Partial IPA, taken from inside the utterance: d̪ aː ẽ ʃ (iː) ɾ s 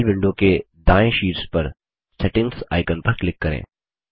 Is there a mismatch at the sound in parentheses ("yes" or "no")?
no